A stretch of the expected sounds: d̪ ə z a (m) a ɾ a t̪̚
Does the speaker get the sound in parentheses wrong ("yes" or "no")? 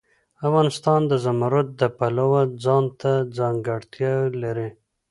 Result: no